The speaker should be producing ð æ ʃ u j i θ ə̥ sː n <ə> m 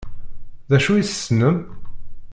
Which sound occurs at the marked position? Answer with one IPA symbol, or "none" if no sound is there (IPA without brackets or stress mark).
ə